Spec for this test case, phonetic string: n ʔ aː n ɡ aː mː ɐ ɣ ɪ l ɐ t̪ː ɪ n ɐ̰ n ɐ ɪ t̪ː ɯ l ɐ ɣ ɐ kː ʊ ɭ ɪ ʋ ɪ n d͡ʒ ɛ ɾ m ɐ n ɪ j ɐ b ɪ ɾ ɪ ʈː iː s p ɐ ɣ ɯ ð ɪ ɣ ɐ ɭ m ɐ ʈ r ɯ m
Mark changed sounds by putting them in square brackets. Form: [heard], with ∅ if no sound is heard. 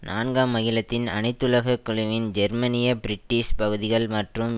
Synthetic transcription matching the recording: n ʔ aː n ɡ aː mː ɐ ɣ ɪ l ɐ t̪ː ɪ n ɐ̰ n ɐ ɪ t̪ː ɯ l ɐ ɣ ɐ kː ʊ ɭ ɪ ʋ ɪ n d͡ʒ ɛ ɾ m ɐ n ɪ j ɐ b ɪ ɾ ɪ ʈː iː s p ɐ ɣ ɯ ð ɪ ɣ ɐ ɭ m ɐ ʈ r ɯ m